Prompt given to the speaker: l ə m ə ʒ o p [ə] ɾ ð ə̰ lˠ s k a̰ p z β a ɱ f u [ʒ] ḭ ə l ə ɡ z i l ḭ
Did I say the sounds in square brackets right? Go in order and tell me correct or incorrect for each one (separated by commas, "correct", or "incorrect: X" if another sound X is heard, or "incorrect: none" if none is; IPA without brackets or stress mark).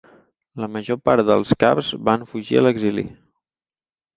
incorrect: a, correct